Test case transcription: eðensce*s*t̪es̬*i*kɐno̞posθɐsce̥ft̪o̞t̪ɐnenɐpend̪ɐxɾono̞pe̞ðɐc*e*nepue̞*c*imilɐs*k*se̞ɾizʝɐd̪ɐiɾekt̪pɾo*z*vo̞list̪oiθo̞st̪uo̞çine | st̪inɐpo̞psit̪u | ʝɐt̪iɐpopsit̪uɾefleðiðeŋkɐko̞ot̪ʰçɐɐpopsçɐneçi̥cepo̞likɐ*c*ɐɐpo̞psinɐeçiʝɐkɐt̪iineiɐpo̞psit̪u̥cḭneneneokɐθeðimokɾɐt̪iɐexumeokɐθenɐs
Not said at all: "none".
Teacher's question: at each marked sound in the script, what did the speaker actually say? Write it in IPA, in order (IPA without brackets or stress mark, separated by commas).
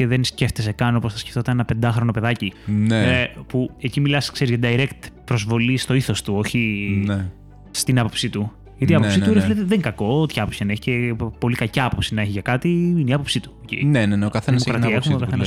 f, e, i, c, k, z, c